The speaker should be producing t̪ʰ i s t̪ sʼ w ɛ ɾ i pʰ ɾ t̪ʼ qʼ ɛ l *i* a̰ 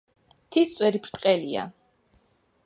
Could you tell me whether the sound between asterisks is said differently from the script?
no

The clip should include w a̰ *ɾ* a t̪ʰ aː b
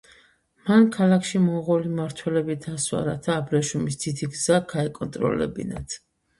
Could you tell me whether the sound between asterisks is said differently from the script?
no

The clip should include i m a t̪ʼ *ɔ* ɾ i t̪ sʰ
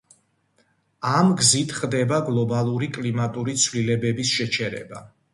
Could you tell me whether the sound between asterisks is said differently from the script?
yes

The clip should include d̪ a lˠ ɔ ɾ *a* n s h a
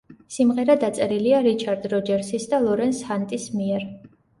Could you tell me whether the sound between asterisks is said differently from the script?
yes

